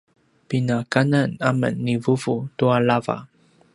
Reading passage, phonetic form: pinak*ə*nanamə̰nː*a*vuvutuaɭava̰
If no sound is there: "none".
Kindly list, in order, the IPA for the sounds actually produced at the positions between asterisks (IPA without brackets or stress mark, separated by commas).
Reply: a, i